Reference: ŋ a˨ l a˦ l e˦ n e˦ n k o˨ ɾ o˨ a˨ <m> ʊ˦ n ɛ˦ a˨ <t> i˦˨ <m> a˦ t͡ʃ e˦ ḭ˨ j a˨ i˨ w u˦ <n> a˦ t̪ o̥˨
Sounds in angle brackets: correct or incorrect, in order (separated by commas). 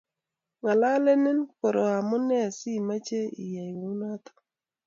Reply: correct, incorrect, correct, correct